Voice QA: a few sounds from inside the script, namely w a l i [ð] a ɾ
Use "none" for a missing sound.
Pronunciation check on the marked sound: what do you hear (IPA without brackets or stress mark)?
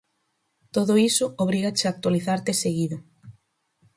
θ